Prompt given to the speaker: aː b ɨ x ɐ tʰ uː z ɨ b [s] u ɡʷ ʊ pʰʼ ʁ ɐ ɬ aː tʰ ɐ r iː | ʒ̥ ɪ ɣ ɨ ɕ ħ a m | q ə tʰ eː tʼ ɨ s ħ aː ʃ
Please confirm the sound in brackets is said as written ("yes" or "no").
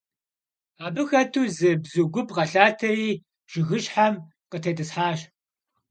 no